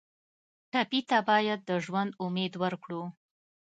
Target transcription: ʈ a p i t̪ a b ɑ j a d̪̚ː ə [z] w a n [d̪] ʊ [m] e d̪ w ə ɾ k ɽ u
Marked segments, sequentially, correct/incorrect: incorrect: ʒ, correct, correct

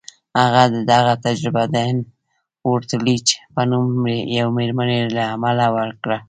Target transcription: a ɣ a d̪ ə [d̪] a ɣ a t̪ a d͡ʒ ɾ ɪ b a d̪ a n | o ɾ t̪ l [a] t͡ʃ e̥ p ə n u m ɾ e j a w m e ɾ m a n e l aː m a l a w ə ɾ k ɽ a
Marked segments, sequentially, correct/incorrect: correct, incorrect: i

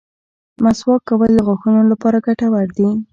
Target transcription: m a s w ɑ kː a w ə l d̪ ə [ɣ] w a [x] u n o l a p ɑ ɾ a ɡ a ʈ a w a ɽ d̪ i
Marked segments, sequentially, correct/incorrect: correct, correct

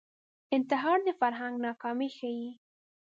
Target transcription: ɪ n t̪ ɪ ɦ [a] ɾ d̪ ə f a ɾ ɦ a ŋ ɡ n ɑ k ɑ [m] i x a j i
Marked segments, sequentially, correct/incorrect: incorrect: ɑ, correct

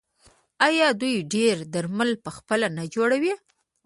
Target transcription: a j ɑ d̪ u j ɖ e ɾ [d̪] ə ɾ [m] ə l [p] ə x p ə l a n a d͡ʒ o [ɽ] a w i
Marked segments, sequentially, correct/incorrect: correct, correct, correct, correct

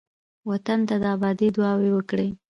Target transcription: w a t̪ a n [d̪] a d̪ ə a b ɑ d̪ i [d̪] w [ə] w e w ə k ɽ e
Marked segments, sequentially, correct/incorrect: incorrect: t̪, correct, incorrect: ɑ

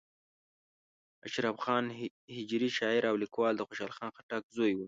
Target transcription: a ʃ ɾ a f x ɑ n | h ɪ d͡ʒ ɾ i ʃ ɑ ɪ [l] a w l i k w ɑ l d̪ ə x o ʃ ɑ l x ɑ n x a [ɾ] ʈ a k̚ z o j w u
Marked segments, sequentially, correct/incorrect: incorrect: ɾ, incorrect: none

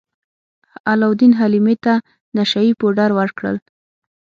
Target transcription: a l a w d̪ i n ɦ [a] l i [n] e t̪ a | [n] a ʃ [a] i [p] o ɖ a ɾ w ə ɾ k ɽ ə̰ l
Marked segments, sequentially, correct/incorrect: correct, incorrect: m, correct, correct, correct

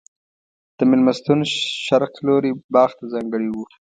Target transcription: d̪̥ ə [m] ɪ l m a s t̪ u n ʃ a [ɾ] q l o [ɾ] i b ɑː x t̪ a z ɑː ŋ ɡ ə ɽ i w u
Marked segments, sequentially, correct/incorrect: correct, correct, correct

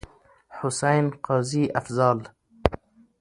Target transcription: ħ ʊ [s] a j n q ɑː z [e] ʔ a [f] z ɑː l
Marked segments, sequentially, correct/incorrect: correct, incorrect: i, correct

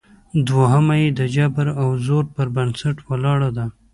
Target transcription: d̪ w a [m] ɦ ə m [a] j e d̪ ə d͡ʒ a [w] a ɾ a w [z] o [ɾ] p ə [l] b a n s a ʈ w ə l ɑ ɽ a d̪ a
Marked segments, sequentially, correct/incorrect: incorrect: none, correct, incorrect: b, correct, correct, incorrect: ɾ

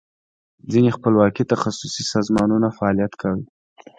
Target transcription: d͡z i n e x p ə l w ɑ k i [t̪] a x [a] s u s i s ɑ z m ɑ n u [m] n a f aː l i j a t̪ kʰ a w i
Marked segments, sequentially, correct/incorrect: correct, correct, incorrect: none

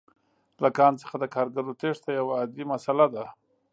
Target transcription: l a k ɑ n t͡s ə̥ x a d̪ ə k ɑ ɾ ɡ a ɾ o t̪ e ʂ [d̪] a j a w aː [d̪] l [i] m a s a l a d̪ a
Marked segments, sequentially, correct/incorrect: incorrect: t̪, correct, correct

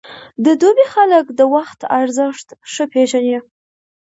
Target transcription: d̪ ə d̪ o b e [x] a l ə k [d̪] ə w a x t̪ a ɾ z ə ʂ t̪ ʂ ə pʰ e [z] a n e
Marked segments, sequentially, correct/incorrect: correct, correct, incorrect: ʒ

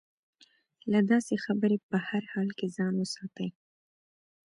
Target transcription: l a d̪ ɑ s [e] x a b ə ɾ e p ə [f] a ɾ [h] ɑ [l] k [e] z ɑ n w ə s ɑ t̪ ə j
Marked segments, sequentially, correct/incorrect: correct, incorrect: h, correct, correct, correct

